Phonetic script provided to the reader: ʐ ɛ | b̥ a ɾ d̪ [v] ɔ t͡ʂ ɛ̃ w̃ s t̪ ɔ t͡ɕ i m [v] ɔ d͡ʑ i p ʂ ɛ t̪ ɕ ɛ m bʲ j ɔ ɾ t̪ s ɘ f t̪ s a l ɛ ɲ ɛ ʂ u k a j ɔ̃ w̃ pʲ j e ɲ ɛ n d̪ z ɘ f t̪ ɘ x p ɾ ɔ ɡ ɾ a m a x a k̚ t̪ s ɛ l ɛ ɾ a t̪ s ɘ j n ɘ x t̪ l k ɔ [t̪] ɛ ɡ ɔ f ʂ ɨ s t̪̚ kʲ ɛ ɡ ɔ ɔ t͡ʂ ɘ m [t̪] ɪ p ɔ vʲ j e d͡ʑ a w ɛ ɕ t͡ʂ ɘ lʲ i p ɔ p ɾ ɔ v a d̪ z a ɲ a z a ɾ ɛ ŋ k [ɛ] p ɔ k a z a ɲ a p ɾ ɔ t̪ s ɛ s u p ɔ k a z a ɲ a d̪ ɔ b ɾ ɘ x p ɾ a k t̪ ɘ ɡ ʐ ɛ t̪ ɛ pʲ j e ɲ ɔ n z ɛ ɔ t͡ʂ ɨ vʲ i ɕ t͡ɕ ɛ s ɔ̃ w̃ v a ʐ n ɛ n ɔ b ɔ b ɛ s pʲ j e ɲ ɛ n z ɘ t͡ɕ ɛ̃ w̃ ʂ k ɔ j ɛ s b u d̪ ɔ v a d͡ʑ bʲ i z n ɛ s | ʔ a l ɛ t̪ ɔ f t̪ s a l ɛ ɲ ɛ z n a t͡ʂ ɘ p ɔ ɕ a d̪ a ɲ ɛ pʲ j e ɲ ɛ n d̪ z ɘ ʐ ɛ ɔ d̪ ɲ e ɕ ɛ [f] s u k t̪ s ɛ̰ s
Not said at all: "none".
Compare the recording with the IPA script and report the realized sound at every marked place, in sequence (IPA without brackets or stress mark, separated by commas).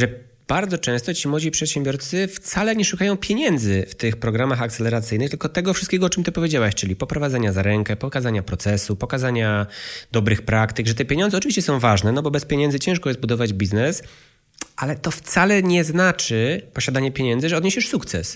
z, w, t̪, t̪, ɛ, ʂ